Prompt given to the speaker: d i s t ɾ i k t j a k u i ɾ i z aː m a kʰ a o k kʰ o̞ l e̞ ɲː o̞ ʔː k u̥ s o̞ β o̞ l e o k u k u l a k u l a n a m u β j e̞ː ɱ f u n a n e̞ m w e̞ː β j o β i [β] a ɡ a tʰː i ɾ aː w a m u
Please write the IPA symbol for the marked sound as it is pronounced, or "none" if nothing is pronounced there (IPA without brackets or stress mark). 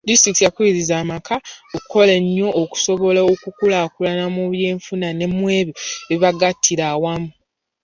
β